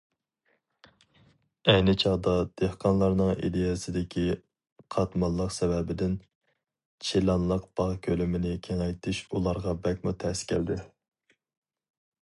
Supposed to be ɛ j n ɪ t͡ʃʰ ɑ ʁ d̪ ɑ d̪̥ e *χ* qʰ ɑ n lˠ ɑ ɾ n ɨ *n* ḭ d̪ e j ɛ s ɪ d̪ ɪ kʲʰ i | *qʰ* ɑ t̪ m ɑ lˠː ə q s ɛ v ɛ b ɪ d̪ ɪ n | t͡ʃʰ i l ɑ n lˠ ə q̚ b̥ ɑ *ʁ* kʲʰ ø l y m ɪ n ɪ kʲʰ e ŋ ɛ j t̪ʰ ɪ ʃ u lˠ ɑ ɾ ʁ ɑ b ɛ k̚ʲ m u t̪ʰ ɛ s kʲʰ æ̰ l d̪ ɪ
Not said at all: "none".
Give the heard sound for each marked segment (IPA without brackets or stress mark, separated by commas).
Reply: h, ŋ, qʰ, ʁ